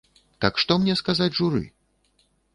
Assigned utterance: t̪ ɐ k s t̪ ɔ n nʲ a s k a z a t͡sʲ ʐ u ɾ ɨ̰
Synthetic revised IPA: t̪ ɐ k ʂ t̪ ɔ m nʲ ɛ s k a z a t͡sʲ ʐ u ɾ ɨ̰